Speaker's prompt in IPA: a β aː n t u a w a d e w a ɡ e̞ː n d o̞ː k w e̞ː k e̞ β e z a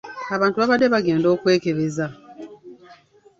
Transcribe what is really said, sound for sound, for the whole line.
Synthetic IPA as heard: a β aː n t u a β a d e β a ɡ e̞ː n d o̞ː k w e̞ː k e̞ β e z a